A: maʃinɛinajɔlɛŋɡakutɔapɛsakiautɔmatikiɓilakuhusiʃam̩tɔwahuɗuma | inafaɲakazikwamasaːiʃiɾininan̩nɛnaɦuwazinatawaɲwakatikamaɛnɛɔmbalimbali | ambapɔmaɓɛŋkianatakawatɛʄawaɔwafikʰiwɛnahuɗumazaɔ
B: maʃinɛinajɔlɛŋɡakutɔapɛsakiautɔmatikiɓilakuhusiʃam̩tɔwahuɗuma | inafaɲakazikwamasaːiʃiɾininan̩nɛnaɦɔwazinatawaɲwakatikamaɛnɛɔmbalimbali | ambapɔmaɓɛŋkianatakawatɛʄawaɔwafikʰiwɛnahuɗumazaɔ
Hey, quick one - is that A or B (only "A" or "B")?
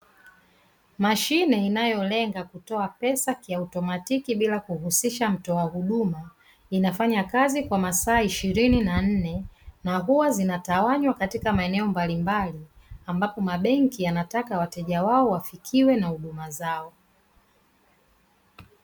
A